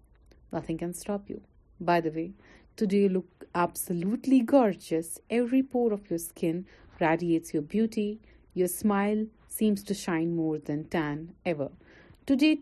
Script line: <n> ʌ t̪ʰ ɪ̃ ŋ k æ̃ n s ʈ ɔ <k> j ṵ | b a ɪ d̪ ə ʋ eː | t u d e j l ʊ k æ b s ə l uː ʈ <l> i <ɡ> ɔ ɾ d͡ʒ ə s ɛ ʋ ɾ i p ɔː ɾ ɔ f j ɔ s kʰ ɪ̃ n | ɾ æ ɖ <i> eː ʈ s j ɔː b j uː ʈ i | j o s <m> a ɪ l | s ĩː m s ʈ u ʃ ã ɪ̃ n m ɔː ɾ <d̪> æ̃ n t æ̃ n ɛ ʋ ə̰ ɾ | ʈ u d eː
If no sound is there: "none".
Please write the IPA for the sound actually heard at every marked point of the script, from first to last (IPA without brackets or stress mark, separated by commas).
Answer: n, p, l, ɡ, i, m, d̪